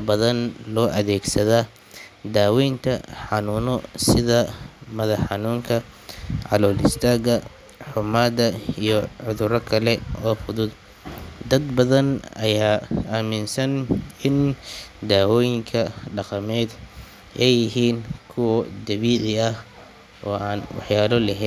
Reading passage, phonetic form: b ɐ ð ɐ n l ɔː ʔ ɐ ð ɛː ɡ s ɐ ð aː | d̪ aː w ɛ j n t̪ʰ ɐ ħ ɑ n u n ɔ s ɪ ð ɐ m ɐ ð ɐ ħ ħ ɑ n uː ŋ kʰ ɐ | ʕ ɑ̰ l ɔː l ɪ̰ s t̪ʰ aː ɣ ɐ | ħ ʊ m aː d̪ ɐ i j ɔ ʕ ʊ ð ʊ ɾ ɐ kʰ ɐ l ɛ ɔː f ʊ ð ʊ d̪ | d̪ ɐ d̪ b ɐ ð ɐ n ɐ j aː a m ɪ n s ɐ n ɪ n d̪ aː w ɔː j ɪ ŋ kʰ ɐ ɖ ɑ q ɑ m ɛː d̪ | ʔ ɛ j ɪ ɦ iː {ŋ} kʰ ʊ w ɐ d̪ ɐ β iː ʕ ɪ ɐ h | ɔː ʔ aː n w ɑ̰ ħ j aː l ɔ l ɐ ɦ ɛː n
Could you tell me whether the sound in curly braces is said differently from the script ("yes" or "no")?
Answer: yes